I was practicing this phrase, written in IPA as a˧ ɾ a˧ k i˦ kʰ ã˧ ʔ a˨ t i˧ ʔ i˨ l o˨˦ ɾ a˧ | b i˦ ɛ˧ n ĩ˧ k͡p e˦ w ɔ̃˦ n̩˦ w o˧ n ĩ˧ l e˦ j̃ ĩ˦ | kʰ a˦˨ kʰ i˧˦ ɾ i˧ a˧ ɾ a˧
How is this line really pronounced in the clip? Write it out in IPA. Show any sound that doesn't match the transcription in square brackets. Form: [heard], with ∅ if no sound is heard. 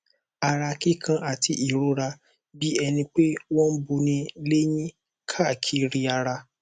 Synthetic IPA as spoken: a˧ ɾ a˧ k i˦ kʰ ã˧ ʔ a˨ t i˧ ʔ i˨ [ɾ] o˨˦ ɾ a˧ | b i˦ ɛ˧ n ĩ˧ k͡p e˦ w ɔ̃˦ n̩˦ [b] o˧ n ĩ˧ l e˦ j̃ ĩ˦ | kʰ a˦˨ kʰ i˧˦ ɾ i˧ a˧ ɾ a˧

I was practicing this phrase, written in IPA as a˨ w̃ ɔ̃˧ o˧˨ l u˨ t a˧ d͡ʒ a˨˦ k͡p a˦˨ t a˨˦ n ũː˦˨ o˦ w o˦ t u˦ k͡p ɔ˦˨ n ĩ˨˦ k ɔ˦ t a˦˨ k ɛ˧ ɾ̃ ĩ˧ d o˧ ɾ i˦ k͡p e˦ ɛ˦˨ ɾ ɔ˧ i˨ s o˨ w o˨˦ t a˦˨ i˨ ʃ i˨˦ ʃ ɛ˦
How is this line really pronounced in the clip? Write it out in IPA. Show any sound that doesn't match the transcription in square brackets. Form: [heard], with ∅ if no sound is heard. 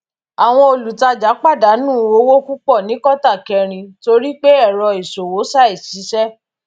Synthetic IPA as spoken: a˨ w̃ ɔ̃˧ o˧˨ l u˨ t a˧ d͡ʒ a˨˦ k͡p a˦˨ [d] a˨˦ n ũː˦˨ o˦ w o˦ [k] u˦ k͡p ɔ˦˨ n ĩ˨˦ k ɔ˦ t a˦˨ k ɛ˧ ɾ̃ ĩ˧ [t] o˧ ɾ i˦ k͡p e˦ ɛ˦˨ ɾ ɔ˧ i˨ s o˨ w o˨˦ [s] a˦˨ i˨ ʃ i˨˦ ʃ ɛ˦

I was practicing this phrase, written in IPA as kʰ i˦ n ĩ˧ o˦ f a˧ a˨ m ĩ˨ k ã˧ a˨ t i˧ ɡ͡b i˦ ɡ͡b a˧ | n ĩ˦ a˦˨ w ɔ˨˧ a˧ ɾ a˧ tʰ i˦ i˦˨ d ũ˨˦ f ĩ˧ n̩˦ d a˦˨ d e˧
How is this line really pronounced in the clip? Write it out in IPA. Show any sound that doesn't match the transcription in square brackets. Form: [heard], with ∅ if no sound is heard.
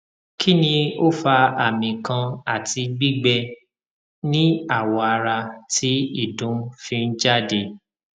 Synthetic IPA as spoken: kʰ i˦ n ĩ˧ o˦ f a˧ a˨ m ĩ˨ k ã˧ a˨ t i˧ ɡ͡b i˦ ɡ͡b [ɛ˧] | n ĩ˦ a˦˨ w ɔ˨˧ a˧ ɾ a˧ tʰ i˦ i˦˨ d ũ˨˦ f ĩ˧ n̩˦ [d͡ʒ] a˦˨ d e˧

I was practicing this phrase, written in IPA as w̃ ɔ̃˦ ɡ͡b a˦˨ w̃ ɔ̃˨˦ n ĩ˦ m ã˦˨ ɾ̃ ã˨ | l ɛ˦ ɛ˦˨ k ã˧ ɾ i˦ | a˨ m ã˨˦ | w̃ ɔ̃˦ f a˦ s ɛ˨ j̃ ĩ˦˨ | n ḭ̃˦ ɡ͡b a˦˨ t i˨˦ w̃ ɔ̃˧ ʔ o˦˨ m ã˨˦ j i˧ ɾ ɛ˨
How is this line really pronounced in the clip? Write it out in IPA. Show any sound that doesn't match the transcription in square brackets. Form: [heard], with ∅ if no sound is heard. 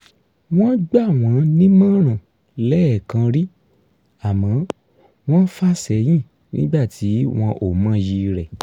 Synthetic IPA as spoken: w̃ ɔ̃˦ ɡ͡b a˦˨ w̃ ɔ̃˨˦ n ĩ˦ m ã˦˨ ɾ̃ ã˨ | l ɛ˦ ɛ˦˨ k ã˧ ɾ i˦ | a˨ m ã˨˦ | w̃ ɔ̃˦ f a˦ s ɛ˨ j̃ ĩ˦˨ | n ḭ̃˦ ɡ͡b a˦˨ t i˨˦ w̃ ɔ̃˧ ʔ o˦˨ m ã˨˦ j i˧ ɾ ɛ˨

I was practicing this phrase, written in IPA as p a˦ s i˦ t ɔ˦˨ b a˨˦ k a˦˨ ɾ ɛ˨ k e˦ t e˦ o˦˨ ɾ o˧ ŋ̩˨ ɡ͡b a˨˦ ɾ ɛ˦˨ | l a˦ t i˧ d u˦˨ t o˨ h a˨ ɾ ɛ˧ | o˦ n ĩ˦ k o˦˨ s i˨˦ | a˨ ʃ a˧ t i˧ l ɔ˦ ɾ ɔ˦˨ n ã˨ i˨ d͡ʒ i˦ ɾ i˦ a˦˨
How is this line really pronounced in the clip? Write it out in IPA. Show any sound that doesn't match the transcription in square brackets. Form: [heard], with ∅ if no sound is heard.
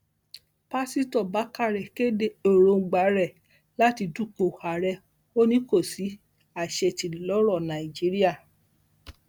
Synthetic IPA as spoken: p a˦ s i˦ t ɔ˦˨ b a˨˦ k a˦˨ ɾ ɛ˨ k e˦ [d] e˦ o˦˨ ɾ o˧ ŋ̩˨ ɡ͡b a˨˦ ɾ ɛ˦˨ | l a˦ t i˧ d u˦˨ [k] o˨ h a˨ ɾ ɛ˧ | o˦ n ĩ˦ k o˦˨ s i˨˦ | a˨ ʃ [ɛ˧] t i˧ l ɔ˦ ɾ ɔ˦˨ n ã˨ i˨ d͡ʒ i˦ ɾ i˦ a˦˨

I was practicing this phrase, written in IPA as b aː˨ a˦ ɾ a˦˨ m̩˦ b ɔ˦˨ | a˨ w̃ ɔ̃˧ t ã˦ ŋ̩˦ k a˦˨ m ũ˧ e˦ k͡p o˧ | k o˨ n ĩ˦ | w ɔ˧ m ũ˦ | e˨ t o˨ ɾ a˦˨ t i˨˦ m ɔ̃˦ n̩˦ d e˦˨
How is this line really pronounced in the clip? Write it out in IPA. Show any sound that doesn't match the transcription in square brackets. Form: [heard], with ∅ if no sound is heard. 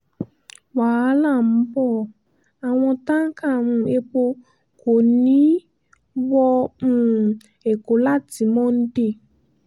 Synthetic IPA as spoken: [w] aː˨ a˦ [l] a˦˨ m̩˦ b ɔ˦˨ | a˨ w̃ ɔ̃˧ t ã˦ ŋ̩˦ k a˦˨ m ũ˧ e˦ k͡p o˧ | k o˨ n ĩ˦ | w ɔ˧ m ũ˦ | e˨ [k] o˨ [l] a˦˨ t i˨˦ m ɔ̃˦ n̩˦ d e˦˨

